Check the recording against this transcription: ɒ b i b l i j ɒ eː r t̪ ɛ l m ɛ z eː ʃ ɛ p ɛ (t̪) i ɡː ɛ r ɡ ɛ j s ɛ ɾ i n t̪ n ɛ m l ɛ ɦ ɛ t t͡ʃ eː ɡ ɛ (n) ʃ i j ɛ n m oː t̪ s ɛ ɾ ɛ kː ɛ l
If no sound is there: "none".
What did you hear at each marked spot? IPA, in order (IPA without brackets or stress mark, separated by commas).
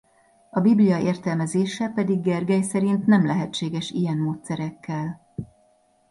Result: d̪, none